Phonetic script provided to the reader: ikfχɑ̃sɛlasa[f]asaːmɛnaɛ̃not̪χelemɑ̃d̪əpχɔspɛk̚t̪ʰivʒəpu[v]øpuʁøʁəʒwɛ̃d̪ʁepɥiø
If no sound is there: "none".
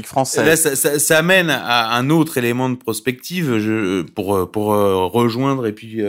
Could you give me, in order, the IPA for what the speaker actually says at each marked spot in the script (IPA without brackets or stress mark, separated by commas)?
s, ʁ